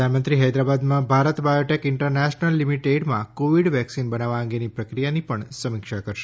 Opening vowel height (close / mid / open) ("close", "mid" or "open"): open